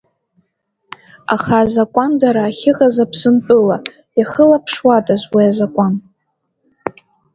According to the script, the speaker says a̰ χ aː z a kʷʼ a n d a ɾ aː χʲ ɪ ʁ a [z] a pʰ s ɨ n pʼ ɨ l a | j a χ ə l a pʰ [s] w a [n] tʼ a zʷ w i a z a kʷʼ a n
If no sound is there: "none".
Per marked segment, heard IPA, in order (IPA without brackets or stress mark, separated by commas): z, ʂ, none